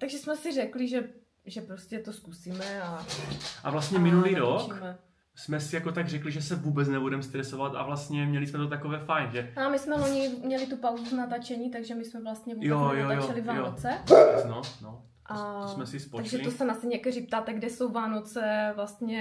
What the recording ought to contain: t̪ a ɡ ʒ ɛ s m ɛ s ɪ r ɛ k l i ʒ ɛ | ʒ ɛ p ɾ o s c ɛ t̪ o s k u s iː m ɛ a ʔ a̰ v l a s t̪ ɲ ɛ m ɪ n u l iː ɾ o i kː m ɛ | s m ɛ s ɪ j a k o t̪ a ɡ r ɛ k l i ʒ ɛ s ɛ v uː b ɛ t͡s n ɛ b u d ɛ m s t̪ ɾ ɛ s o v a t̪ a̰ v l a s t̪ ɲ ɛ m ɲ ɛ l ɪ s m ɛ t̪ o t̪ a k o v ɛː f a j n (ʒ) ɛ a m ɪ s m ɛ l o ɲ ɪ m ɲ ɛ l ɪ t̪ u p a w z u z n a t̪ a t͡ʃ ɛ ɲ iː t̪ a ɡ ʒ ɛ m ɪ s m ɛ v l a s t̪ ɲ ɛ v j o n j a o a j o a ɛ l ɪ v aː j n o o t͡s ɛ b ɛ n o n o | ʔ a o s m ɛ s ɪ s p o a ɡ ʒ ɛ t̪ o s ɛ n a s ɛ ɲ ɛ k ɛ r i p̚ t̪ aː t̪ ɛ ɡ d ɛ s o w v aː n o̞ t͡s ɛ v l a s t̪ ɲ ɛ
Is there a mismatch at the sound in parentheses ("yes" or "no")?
no